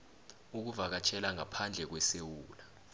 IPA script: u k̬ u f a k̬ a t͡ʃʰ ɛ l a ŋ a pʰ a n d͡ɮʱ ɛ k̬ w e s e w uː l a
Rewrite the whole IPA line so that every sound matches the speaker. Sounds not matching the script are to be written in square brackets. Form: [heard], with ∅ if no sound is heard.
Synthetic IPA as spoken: u k̬ u [v] a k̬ a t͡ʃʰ ɛ l a ŋ a pʰ a n d͡ɮʱ ɛ k̬ w [ɛ] s e w uː l a